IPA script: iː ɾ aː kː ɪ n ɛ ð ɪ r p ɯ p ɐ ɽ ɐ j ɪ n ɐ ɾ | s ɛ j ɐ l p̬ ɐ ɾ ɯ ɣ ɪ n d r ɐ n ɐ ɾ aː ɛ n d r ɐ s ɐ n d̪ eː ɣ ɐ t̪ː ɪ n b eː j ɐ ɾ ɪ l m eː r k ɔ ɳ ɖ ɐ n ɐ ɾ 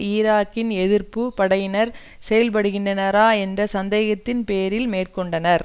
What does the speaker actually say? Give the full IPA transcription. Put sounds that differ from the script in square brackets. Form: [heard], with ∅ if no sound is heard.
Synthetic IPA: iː ɾ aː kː ɪ n ɛ ð ɪ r p ɯ p ɐ ɽ ɐ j ɪ n ɐ ɾ | s ɛ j ɐ l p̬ ɐ [ɽ] ɯ ɣ ɪ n d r ɐ n ɐ ɾ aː ɛ n d r ɐ s ɐ n d̪ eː ɣ ɐ t̪ː ɪ n [p] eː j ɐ ɾ ɪ l m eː r k ɔ ɳ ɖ ɐ n ɐ ɾ